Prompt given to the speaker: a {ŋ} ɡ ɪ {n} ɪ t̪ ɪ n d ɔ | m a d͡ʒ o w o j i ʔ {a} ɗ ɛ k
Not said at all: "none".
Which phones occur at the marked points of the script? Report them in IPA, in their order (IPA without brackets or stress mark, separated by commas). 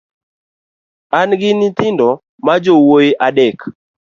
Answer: n, n, a